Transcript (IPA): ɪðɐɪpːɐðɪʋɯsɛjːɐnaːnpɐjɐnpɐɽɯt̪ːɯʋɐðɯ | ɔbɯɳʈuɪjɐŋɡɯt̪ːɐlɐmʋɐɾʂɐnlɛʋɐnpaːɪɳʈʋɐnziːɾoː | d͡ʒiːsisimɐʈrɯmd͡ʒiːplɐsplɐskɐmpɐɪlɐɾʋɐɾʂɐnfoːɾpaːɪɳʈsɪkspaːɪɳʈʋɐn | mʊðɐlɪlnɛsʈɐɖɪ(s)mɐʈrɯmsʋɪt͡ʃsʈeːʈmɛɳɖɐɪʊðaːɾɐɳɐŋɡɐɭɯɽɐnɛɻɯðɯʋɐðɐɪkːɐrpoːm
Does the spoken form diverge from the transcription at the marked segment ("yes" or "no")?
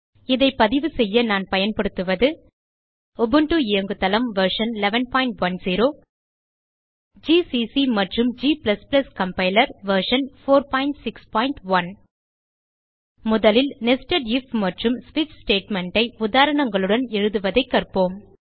yes